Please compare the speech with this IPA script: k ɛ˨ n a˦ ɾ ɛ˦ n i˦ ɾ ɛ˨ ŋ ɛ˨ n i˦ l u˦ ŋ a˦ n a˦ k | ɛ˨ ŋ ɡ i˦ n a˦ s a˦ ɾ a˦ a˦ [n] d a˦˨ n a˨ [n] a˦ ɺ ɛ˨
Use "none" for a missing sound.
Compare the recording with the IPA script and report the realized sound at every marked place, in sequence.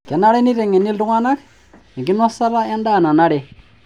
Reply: n, n

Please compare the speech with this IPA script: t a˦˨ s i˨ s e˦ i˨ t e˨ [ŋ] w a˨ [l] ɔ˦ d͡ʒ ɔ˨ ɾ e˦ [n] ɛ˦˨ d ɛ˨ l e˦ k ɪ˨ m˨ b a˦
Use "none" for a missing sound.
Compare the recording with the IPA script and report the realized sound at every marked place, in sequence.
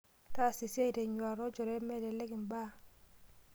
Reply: ɲ, ɾ, m

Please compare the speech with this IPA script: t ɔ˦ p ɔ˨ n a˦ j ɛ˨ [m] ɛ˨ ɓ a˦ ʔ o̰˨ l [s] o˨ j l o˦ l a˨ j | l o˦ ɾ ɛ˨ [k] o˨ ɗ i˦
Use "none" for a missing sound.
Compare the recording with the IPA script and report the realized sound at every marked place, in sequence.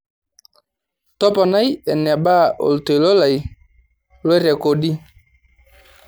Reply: n, t, k

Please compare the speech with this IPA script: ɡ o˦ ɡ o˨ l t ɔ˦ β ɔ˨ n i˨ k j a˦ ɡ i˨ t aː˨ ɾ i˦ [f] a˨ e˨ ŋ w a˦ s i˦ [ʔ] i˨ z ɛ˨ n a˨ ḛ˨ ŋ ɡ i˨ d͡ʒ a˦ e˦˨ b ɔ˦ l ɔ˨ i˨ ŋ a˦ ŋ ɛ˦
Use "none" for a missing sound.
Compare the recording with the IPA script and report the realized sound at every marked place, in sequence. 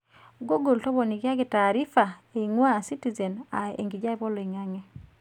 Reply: f, t

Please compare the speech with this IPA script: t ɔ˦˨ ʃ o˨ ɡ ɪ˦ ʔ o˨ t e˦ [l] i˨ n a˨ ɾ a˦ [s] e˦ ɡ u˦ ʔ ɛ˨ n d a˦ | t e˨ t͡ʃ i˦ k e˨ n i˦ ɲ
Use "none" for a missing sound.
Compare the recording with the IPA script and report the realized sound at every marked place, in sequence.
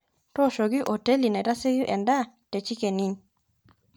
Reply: l, s

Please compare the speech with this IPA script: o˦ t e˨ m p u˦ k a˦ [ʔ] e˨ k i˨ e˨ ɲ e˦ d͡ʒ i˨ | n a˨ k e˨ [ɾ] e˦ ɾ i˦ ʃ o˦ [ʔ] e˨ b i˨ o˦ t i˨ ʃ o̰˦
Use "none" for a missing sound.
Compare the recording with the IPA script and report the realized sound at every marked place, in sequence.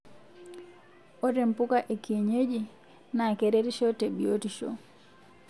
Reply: ʔ, ɾ, t

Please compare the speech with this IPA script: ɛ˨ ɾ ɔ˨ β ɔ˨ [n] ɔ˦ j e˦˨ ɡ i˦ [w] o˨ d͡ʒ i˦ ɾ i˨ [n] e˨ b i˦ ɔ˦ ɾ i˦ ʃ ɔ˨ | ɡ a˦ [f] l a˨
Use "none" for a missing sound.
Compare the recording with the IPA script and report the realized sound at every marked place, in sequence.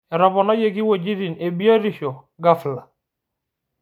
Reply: n, w, n, f

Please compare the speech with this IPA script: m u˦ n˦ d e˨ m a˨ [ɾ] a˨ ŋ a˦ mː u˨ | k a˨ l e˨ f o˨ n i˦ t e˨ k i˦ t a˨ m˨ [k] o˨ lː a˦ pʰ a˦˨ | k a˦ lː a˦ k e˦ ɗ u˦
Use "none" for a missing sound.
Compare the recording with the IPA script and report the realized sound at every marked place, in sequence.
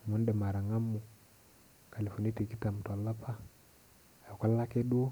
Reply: ɾ, t

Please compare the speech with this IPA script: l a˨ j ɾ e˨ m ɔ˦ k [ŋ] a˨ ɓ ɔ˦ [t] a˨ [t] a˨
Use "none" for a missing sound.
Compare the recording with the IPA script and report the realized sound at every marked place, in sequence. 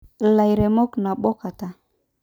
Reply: n, k, t

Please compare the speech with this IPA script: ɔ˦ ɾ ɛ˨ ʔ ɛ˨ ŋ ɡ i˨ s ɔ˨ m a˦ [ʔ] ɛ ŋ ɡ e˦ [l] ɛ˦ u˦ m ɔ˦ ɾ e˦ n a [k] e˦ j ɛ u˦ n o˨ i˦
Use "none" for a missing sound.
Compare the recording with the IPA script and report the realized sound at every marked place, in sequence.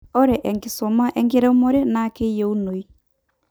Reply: ʔ, ɾ, k

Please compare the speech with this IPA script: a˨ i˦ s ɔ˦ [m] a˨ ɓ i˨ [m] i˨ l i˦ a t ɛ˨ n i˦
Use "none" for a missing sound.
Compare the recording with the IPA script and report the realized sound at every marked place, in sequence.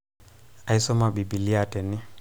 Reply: m, b

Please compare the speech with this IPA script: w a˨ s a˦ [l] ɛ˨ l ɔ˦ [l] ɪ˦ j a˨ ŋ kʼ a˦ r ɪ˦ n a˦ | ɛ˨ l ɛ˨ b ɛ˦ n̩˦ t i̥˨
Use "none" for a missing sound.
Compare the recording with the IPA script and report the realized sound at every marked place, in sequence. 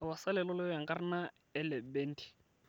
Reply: l, l

